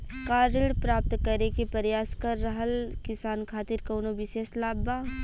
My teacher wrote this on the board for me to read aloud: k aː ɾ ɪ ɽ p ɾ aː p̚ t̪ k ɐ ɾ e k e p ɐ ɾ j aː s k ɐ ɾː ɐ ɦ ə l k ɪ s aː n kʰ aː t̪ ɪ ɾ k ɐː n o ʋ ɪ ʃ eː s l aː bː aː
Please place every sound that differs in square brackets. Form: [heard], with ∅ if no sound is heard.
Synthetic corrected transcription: k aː ɾ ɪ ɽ p ɾ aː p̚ t̪ k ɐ ɾ e k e p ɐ ɾ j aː s k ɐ ɾː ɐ ɦ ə l k ɪ s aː n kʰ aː t̪ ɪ ɾ k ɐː n o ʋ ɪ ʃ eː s l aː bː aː